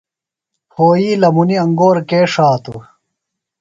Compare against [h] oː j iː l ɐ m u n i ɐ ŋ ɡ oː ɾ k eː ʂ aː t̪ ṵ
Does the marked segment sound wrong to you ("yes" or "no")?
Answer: no